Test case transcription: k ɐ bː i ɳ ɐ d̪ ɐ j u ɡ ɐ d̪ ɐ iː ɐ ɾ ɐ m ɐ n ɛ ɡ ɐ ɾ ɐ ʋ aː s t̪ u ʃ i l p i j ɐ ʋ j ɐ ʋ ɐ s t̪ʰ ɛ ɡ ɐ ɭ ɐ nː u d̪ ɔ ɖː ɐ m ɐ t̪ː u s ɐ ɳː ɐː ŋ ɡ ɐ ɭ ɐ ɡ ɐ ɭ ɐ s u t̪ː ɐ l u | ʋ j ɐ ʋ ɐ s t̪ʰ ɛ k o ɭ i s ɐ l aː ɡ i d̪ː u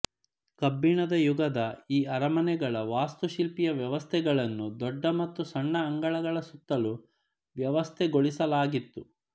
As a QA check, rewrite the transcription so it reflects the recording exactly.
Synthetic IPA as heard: k ɐ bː i ɳ ɐ d̪ ɐ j u ɡ ɐ d̪ ɐ iː ɐ ɾ ɐ m ɐ n ɛ ɡ ɐ ɭ ɐ ʋ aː s t̪ u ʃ i l p i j ɐ ʋ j ɐ ʋ ɐ s t̪ʰ ɛ ɡ ɐ ɭ ɐ nː u d̪ ɔ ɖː ɐ m ɐ t̪ː u s ɐ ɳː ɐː ŋ ɡ ɐ ɭ ɐ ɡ ɐ ɭ ɐ s u t̪ː ɐ l u | ʋ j ɐ ʋ ɐ s t̪ʰ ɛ ɡ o ɭ i s ɐ l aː ɡ i t̪ː u